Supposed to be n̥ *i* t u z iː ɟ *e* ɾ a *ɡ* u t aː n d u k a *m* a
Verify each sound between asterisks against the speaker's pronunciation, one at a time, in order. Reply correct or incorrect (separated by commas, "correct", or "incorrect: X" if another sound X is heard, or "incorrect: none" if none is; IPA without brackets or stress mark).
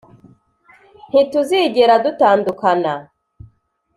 correct, correct, incorrect: d, incorrect: n